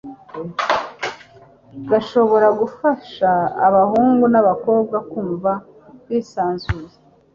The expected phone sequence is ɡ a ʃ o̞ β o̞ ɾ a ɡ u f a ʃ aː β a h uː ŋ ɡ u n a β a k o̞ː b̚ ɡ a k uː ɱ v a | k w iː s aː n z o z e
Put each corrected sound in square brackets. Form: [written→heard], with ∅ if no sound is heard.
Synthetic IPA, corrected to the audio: ɡ a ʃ o̞ β o̞ ɾ a ɡ u f a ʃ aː β a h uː ŋ ɡ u n a β a k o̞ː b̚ ɡ a k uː ɱ v a | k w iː s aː n z [o→u] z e